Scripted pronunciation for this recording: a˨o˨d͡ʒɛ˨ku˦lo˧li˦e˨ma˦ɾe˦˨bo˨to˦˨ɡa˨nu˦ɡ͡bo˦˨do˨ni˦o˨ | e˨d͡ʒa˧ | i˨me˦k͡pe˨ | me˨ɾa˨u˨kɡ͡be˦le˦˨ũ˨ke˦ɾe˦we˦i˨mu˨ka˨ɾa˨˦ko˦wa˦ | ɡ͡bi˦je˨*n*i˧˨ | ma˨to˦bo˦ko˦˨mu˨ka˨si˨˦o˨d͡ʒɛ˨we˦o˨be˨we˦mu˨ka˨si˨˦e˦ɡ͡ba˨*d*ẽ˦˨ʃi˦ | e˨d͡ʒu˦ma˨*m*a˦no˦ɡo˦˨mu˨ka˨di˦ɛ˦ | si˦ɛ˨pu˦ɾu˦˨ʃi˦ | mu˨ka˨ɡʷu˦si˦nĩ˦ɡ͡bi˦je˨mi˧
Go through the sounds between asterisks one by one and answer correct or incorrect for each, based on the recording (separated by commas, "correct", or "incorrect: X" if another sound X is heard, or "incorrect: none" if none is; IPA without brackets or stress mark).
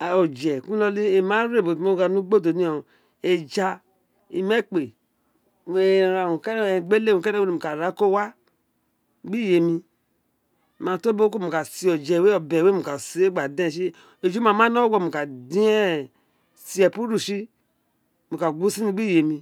incorrect: m, correct, correct